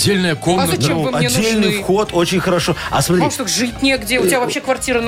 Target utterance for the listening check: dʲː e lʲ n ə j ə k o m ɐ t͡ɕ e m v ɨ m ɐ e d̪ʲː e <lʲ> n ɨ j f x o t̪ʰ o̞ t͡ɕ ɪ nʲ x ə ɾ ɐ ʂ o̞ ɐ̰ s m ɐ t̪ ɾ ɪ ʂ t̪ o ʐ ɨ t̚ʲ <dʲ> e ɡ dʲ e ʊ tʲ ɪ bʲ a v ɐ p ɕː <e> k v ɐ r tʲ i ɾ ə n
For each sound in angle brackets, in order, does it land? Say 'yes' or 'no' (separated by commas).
yes, no, yes